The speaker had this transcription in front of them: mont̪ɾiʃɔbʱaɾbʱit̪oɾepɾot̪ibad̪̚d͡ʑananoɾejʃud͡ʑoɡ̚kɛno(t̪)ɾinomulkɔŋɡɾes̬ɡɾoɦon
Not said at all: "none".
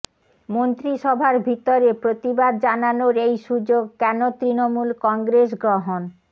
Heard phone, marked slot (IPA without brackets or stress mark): t̪